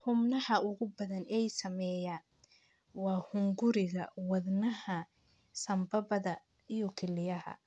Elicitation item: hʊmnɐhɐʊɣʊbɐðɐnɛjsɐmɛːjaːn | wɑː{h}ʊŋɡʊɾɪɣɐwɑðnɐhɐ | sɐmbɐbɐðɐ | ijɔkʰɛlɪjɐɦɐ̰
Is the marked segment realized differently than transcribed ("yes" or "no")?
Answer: no